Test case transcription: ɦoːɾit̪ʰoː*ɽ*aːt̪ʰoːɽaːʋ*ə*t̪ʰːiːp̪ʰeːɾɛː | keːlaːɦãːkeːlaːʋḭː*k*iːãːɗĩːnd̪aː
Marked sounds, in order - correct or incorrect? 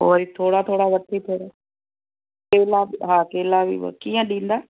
correct, correct, correct

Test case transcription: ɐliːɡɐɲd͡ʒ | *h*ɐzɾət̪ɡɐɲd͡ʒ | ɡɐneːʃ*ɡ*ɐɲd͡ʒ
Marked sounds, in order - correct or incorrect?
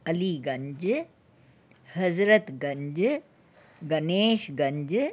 correct, correct

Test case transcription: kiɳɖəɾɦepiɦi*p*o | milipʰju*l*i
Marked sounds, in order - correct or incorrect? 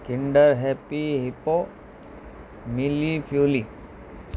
correct, correct

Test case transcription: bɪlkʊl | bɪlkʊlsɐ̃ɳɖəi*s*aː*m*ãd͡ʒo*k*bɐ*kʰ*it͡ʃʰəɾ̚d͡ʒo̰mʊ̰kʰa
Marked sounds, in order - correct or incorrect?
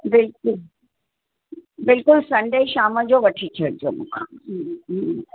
incorrect: ʃ, correct, incorrect: none, incorrect: ʈʰ

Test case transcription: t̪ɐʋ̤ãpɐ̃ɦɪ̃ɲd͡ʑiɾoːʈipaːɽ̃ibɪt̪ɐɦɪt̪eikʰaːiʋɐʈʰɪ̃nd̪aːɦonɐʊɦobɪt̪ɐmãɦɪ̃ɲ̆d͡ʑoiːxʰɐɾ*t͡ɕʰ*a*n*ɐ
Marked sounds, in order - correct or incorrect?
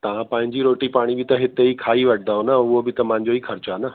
incorrect: t͡ɕ, correct

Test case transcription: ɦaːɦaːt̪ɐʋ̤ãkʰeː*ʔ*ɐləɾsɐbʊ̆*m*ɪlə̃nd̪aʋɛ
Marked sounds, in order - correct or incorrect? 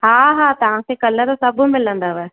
incorrect: k, correct

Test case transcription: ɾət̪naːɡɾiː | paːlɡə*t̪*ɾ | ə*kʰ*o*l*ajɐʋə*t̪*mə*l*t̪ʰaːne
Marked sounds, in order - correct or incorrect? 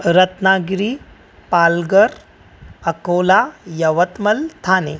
incorrect: none, incorrect: k, correct, correct, correct

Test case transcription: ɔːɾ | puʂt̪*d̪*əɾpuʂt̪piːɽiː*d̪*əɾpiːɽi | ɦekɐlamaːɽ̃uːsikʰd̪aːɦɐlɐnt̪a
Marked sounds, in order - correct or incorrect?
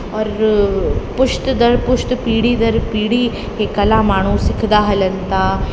correct, correct

